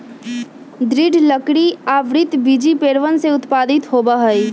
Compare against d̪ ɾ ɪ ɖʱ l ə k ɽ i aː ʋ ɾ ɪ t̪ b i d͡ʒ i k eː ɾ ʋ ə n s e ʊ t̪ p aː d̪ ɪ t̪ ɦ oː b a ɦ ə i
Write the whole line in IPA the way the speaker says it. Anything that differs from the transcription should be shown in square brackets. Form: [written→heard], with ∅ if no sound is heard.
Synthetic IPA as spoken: d̪ ɾ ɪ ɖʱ l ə k ɽ i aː ʋ ɾ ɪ t̪ b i d͡ʒ i [k→p] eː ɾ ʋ ə n s e ʊ t̪ p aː d̪ ɪ t̪ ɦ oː b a ɦ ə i